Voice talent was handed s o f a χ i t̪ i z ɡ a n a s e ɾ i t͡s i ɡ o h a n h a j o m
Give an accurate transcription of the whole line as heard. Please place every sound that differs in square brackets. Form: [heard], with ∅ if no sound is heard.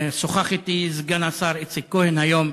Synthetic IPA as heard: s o [χ] a χ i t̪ i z ɡ a n a s [a] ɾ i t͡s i [k] o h [e] n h a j o m